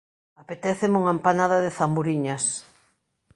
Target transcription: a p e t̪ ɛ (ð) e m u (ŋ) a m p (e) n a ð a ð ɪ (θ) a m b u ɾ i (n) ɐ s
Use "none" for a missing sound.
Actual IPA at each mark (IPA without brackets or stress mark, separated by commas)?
θ, ŋ, a, θ, ɲ